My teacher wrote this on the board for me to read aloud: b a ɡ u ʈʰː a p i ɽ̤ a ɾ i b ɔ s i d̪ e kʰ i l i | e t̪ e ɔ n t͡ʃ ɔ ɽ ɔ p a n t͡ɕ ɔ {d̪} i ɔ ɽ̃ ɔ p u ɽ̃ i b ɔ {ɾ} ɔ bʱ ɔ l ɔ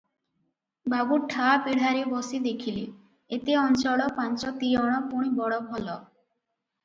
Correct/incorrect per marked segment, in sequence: incorrect: t̪, incorrect: ɽ

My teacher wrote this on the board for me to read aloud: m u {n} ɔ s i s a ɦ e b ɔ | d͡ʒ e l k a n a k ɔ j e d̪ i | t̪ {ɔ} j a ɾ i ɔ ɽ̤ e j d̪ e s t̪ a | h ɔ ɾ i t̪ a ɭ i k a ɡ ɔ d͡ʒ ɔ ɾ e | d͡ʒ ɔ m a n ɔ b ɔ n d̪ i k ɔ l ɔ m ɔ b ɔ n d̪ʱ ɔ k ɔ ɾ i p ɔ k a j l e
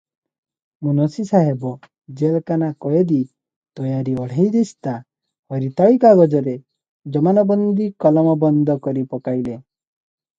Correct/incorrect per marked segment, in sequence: correct, correct

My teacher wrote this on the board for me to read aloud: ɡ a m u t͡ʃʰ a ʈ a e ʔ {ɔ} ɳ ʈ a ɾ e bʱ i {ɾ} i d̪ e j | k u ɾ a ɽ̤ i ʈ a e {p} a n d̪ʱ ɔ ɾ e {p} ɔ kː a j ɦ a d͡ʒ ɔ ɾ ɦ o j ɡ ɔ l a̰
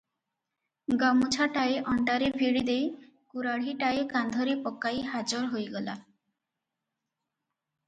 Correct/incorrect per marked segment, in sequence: correct, incorrect: ɽ, incorrect: k, correct

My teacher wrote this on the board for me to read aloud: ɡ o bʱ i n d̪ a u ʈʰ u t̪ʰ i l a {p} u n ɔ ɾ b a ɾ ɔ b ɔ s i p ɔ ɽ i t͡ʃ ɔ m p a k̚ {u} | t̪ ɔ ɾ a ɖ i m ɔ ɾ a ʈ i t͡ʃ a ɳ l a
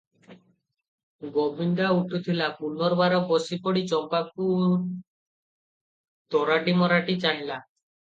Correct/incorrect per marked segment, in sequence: correct, correct

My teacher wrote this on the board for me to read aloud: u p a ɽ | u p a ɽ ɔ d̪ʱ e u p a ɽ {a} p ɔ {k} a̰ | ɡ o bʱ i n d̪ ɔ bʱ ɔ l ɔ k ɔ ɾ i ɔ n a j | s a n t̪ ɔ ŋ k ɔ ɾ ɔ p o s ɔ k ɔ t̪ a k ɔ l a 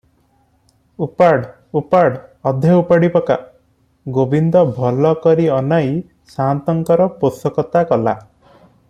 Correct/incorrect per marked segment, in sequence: incorrect: i, correct

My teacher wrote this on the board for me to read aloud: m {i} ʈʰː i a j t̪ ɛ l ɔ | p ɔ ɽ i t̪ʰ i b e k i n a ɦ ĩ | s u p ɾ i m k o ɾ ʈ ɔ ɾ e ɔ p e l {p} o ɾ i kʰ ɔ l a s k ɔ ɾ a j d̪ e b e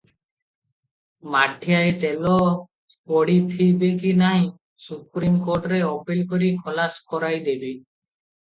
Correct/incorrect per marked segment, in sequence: incorrect: a, incorrect: k

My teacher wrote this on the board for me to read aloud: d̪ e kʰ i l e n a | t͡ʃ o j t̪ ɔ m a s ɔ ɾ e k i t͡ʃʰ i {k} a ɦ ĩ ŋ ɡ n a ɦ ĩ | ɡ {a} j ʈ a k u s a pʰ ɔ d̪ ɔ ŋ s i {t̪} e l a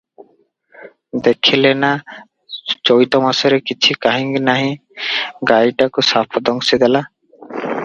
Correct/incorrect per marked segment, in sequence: correct, correct, incorrect: d̪

